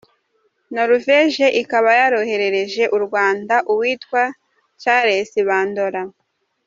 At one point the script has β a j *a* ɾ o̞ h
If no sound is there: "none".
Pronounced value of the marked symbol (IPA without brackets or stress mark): a